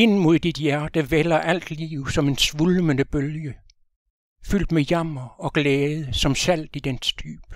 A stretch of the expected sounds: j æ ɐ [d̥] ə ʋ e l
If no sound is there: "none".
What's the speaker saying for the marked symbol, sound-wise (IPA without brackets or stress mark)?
d̥